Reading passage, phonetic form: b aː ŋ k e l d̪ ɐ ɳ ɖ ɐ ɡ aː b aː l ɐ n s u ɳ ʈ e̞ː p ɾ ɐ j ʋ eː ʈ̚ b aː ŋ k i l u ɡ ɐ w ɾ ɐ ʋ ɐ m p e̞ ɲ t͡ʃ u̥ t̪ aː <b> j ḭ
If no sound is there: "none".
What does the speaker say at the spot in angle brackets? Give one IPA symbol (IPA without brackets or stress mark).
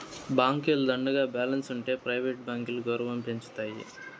none